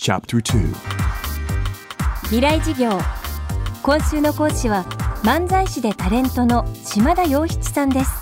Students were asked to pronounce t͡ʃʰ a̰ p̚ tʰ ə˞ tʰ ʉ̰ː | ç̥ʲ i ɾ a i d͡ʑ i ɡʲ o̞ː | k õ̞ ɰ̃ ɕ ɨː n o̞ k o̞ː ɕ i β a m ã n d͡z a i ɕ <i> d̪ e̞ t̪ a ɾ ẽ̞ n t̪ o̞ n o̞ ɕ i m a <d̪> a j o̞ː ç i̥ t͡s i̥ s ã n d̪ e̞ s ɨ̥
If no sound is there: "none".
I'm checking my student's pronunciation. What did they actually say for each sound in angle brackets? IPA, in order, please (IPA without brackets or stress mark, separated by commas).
i, d̪